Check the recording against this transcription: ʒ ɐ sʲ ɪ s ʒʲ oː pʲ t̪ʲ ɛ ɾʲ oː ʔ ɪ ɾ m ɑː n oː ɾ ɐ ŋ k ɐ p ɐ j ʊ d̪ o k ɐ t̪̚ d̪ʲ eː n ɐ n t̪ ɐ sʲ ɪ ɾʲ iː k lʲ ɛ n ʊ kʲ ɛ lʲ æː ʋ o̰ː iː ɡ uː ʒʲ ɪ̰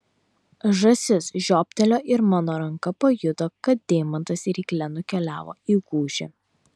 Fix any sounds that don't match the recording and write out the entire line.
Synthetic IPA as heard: ʒ ɐ sʲ ɪ s ʒʲ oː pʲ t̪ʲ ɛ lʲ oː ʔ ɪ ɾ m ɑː n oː ɾ ɐ ŋ k ɐ p ɐ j ʊ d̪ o k ɐ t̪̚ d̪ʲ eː m ɐ n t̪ ɐ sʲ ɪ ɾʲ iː k lʲ ɛ n ʊ kʲ ɛ lʲ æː ʋ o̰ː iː ɡ uː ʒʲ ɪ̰